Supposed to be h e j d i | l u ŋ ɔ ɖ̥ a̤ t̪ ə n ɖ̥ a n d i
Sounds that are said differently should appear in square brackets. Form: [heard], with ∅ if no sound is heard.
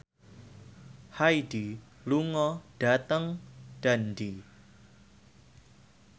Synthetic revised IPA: h [a] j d i | l u ŋ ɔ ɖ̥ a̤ t̪ ə [ŋ] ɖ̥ a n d i